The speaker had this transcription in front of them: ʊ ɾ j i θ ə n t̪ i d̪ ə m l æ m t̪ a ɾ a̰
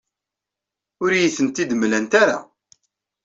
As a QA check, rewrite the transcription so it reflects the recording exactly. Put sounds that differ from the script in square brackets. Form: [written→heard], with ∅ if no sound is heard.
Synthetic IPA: ʊ ɾ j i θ ə n t̪ i d̪ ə m l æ [m→n] t̪ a ɾ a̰